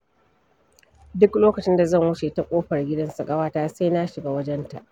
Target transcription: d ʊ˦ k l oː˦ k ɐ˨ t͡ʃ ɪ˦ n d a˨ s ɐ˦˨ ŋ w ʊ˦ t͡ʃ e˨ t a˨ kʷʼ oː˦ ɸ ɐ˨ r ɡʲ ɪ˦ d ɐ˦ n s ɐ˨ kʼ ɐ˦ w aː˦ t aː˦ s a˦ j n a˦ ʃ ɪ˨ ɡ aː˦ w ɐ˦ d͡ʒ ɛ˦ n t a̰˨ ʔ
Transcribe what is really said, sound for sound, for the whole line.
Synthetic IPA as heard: d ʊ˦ k l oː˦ k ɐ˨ t͡ʃ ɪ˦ n d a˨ z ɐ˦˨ ŋ w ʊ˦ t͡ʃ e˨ t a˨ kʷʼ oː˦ ɸ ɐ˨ r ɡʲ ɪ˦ d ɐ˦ n s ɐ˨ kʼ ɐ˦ w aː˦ t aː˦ s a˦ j n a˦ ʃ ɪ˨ ɡ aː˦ w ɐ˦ d͡ʒ ɛ˦ n t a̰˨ ʔ